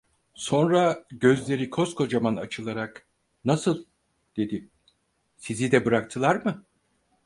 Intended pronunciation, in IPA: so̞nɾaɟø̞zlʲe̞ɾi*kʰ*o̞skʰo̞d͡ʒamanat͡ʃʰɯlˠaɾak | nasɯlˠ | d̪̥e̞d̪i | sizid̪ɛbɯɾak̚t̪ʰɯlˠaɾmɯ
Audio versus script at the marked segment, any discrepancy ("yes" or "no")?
no